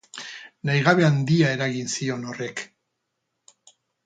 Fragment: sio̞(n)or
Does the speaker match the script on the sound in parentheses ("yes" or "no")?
yes